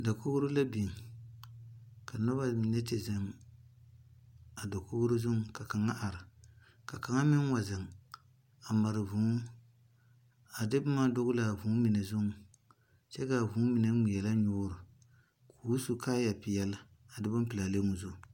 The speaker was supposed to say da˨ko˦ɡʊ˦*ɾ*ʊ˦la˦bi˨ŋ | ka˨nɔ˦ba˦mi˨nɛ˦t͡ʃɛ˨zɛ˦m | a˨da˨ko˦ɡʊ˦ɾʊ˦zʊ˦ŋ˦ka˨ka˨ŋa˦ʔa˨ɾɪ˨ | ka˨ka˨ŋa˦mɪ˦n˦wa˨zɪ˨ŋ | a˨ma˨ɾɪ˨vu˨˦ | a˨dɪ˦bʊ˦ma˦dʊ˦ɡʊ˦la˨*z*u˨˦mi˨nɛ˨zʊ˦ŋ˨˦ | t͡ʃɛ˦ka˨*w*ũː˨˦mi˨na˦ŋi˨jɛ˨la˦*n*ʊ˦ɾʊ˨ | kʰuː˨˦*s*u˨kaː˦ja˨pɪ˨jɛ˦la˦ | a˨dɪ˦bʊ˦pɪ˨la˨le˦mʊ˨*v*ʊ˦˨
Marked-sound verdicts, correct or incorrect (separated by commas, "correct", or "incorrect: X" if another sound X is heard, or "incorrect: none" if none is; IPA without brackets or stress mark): correct, incorrect: v, incorrect: v, incorrect: ɲ, correct, incorrect: z